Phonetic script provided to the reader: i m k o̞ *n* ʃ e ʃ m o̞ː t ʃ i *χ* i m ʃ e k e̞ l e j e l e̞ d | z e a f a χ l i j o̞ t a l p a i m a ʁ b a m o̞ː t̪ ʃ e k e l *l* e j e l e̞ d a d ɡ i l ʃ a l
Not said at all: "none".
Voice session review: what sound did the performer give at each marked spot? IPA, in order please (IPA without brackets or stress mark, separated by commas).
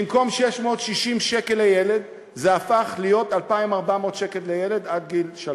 m, ʃ, l